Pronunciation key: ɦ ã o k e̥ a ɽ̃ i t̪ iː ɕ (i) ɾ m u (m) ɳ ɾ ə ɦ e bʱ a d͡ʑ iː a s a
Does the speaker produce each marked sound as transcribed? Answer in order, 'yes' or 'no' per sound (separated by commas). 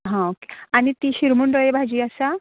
yes, no